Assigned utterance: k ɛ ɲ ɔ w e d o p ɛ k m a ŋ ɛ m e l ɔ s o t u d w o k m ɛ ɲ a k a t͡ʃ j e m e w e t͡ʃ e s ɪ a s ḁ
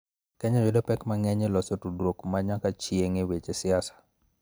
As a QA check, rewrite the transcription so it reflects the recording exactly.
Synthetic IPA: k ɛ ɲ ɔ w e d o p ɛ k m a ŋ ɛ ɲ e l ɔ s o t u d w o k m a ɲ a k a t͡ʃ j e ŋ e w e t͡ʃ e s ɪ a s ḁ